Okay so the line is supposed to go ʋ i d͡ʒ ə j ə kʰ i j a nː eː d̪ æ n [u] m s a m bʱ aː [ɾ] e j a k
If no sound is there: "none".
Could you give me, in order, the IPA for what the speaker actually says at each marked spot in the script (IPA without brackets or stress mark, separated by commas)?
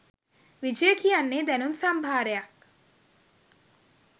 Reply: u, ɾ